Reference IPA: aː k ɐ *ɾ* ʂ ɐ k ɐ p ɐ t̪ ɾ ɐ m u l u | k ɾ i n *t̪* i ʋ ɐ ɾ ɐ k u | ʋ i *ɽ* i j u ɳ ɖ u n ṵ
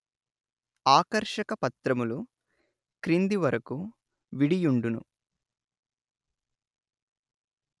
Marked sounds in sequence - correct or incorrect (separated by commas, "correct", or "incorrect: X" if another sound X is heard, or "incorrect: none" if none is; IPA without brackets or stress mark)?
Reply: correct, incorrect: d̪, correct